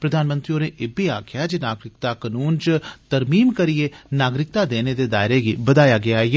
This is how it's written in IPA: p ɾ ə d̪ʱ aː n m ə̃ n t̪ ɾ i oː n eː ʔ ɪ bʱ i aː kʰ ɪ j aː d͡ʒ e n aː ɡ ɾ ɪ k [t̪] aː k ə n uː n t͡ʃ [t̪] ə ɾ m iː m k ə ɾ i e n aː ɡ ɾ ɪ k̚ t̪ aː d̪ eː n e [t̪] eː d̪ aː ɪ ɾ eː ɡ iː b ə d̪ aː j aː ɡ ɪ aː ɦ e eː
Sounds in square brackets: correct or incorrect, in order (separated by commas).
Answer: correct, correct, incorrect